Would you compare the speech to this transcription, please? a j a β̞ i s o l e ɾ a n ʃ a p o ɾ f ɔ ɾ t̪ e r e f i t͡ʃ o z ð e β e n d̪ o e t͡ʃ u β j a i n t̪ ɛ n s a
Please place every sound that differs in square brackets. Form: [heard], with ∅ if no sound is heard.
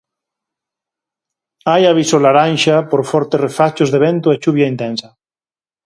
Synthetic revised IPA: a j a β̞ i s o l [a] ɾ a n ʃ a p o ɾ f ɔ ɾ t̪ e r e f [a] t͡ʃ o z ð e β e n [t̪] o e t͡ʃ u β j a i n t̪ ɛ n s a